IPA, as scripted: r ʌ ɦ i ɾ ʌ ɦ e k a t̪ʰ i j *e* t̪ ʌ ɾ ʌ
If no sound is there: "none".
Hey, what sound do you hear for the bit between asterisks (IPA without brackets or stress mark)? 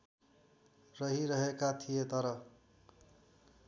e